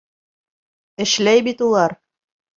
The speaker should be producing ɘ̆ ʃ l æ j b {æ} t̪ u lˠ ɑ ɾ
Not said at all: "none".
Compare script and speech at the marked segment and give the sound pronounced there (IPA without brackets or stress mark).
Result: i